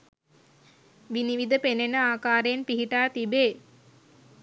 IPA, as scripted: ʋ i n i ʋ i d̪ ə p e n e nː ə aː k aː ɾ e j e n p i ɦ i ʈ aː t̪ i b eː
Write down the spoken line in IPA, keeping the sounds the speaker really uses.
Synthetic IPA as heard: ʋ i n i ʋ i d̪ ə p e n e n ə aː k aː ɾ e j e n p i ɦ i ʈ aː t̪ i b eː